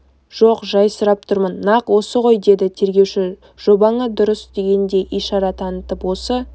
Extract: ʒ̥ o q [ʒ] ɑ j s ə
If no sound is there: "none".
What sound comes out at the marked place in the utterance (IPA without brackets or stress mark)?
ʒ